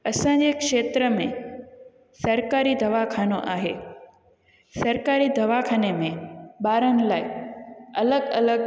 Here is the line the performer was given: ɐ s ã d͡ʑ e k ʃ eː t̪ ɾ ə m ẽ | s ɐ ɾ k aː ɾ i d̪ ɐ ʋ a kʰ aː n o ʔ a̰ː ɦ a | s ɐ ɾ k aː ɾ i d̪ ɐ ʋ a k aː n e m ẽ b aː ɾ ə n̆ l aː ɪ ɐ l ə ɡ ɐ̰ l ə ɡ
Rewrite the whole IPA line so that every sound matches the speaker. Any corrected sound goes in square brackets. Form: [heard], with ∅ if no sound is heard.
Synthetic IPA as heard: ɐ s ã d͡ʑ e k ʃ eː t̪ ɾ ə m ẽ | s ɐ ɾ k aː ɾ i d̪ ɐ ʋ a kʰ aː n o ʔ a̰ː ɦ [e] | s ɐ ɾ k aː ɾ i d̪ ɐ ʋ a [kʰ] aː n e m ẽ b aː ɾ ə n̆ l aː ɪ ɐ l ə ɡ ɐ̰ l ə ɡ